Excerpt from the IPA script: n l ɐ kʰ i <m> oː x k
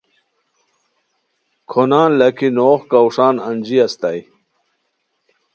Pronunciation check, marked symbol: incorrect: n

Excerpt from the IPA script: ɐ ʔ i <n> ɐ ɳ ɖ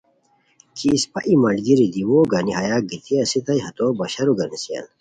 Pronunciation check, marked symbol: incorrect: m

